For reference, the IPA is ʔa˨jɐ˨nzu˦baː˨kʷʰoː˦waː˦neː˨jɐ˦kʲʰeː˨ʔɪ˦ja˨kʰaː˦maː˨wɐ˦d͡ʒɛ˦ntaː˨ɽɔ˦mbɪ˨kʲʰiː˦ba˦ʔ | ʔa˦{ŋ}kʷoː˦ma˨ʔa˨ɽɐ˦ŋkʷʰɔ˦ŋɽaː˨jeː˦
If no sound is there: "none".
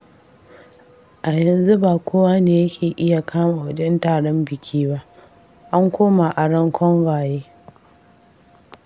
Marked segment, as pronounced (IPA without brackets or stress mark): ŋ